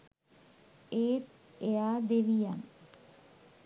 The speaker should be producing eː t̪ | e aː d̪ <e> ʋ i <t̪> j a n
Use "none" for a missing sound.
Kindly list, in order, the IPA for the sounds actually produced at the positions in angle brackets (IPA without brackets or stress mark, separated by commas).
e, none